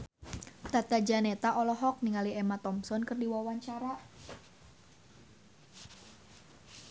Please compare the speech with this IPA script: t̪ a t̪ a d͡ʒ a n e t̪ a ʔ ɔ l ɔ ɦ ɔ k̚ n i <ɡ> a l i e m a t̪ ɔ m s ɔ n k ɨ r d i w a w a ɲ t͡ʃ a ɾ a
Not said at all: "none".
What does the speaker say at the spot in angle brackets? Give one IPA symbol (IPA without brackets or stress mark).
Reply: ŋ